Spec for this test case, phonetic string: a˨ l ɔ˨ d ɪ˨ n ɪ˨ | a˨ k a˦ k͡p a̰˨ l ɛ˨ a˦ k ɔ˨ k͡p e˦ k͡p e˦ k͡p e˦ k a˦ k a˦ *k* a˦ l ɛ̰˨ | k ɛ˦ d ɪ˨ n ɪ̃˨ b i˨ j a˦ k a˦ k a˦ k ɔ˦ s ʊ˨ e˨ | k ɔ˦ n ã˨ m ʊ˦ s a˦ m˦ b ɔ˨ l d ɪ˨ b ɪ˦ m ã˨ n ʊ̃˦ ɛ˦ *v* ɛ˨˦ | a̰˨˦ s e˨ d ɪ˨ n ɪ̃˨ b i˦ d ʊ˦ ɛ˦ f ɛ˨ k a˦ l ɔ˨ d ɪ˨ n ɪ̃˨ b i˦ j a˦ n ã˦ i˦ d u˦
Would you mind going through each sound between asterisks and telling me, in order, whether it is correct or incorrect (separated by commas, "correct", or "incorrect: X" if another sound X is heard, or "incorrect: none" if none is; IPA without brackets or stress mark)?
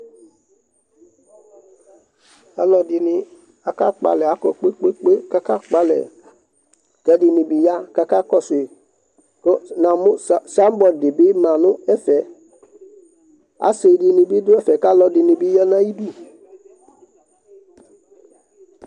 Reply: incorrect: k͡p, incorrect: f